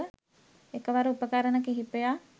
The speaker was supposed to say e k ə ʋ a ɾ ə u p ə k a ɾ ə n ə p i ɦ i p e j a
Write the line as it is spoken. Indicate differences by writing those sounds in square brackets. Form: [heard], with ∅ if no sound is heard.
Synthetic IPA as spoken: e k ə ʋ a ɾ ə u p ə k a ɾ ə n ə [k] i ɦ i p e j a